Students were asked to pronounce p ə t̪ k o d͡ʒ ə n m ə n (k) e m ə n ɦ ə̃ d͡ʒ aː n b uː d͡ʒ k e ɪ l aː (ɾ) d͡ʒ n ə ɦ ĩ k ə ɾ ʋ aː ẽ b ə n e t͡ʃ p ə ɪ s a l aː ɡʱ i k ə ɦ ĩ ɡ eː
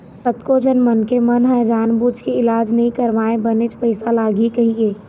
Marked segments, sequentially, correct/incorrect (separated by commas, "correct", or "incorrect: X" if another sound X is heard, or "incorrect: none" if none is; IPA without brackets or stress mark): correct, incorrect: none